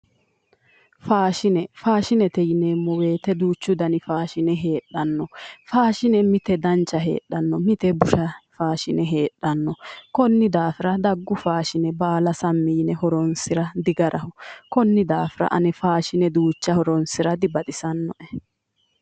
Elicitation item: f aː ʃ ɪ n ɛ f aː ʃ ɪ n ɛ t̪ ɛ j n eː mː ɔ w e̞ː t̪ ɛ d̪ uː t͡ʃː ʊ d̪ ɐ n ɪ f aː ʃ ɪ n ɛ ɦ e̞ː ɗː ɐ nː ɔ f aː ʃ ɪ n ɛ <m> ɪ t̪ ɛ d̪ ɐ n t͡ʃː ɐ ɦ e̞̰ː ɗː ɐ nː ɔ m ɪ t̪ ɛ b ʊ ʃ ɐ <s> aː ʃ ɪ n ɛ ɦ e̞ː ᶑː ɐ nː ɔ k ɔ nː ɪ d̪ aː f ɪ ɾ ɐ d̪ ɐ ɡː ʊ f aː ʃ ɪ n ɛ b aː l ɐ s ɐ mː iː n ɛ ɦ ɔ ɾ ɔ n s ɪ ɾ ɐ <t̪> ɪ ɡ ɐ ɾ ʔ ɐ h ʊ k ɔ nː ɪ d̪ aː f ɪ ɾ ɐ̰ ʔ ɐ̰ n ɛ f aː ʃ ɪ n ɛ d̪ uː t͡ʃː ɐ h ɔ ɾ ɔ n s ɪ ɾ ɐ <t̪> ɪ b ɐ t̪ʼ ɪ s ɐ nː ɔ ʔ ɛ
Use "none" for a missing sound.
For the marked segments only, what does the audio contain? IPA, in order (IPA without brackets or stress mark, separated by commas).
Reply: m, f, d̪, d̪